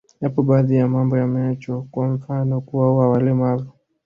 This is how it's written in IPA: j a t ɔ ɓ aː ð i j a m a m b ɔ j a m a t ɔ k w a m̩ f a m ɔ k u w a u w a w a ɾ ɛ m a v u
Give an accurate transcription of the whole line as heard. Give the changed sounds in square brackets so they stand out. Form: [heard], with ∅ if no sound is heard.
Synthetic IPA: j a [p] ɔ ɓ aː ð i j a m a m b ɔ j a m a [t͡ʃ] ɔ k w a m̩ f a [n] ɔ k u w a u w a w a [l] ɛ m a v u